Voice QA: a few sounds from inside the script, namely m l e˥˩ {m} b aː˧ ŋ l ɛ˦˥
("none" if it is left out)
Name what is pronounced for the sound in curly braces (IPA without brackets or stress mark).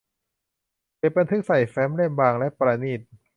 m